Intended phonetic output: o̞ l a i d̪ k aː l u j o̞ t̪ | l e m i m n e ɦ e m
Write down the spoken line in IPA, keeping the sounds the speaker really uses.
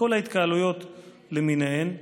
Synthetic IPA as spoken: o̞ l a i t̪ k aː l u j o̞ t̪ | l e m i n e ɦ e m